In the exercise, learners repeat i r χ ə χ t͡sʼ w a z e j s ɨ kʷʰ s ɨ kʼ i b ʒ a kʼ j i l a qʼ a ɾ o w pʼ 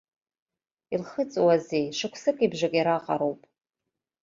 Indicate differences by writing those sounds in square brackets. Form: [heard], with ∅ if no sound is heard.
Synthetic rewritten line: i [l] χ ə [∅] t͡sʼ w a z e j [ʂ] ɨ kʷʰ s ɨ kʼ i b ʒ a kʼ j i [ɾ] a qʼ a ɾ o w pʼ